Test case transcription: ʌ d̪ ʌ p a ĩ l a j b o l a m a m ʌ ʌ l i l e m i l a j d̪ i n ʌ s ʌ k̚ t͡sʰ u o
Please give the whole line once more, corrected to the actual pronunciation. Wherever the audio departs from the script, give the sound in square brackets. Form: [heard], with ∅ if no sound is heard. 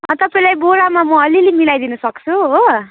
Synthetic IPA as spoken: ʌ [t̪] ʌ p a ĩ l a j b o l a m a m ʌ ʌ l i l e m i l a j d̪ i n ʌ s ʌ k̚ t͡sʰ u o